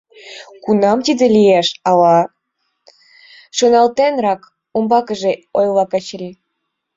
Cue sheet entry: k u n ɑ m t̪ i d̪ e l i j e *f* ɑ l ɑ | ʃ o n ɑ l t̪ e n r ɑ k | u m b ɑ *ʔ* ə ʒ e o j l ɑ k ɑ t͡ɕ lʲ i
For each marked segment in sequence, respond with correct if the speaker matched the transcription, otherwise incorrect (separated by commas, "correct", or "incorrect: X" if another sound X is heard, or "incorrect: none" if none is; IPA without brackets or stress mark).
incorrect: ʃ, incorrect: k